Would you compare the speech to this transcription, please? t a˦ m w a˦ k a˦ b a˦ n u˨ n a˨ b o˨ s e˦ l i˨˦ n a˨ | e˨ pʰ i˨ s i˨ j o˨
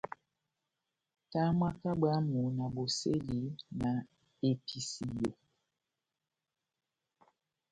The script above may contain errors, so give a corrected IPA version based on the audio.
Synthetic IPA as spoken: t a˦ m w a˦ k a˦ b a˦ m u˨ n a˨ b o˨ s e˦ l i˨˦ n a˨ | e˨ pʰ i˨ s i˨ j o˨